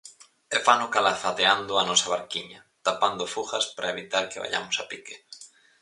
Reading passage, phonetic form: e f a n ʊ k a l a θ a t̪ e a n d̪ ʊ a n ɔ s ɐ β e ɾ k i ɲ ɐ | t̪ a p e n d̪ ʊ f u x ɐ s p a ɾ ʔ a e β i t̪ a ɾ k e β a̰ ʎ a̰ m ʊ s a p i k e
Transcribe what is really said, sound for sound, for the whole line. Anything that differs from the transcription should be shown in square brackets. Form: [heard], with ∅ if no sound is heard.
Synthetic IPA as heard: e f a n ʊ k a l a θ a t̪ e a n d̪ ʊ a n ɔ s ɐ β [a] ɾ k i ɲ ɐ | t̪ a p [a] n d̪ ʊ f u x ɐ s p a ɾ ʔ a e β i t̪ a ɾ k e β a̰ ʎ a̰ m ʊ s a p i k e